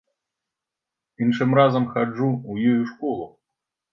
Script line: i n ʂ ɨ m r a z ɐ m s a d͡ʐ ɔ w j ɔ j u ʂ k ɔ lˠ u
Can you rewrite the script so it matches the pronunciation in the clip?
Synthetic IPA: i n ʂ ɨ m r a z ɐ m x a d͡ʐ u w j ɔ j u ʂ k ɔ lˠ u